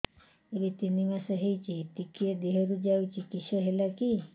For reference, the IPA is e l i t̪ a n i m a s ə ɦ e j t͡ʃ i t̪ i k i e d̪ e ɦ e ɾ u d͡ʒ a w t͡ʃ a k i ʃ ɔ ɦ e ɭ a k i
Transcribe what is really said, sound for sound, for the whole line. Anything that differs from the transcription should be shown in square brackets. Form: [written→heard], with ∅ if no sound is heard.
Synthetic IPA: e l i t̪ [a→i] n i m a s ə ɦ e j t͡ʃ i t̪ i k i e d̪ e ɦ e ɾ u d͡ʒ a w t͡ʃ [a→i] k i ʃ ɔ ɦ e [ɭ→l] a k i